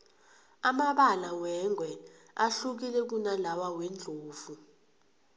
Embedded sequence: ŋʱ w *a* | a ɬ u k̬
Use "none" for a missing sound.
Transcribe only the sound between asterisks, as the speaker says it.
ɛ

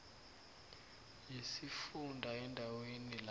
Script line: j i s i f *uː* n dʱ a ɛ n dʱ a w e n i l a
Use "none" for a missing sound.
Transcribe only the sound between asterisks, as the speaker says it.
u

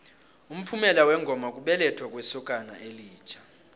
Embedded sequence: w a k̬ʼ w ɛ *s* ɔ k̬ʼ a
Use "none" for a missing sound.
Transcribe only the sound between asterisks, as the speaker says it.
s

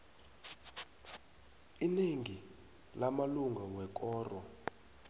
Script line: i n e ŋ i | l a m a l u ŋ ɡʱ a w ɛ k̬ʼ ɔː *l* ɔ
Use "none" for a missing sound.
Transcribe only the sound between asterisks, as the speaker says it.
r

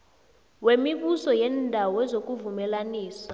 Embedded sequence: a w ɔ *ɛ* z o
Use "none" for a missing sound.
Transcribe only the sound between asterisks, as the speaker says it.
ɛ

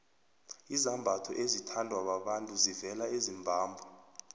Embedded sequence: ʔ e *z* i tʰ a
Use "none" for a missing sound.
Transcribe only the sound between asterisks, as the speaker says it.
z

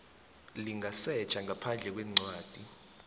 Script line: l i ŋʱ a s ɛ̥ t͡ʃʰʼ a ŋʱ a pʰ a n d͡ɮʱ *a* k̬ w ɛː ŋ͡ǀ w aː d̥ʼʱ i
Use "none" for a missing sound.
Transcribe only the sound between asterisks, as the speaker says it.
ɛ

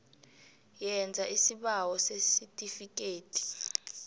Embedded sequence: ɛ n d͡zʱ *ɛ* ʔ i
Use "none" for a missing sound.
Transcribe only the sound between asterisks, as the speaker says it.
a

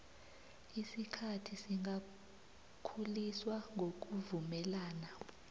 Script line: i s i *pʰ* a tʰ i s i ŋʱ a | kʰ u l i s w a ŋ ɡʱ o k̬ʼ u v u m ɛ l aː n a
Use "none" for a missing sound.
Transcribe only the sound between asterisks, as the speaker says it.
kʰ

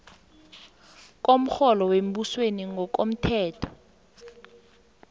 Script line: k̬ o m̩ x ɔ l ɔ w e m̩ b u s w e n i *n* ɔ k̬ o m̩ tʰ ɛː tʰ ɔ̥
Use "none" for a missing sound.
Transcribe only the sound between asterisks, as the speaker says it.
ŋ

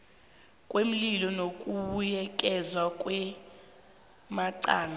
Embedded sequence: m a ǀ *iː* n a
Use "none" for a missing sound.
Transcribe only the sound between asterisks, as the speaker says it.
aː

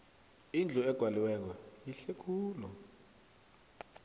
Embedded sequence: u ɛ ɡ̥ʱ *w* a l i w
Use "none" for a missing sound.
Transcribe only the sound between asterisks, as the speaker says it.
w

